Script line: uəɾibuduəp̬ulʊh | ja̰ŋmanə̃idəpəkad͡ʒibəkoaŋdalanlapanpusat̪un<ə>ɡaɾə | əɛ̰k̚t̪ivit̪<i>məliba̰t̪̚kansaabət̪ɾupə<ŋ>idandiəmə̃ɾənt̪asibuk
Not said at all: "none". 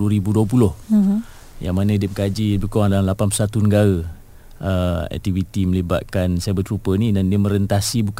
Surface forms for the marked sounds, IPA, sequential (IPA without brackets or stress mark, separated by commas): ə, i, n